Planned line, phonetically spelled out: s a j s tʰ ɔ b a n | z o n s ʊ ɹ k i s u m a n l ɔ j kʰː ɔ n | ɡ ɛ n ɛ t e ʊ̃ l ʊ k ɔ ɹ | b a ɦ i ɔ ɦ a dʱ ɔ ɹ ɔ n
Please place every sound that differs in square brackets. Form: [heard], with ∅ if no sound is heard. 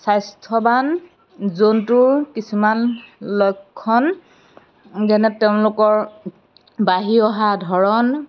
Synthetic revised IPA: s a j s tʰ ɔ b a n | z o n [t] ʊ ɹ k i s u m a n l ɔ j kʰː ɔ n | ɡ ɛ n ɛ t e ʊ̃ l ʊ k ɔ ɹ | b a ɦ i ɔ ɦ a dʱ ɔ ɹ ɔ n